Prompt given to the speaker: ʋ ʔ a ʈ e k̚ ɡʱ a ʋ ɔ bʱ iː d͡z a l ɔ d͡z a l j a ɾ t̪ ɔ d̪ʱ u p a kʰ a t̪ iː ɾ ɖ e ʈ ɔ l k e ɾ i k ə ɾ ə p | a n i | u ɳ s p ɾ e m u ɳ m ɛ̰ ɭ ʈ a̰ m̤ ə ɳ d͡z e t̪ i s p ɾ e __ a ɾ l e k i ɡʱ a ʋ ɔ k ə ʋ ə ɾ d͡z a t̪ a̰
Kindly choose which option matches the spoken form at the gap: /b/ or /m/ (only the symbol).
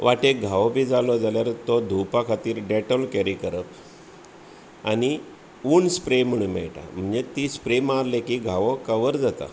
m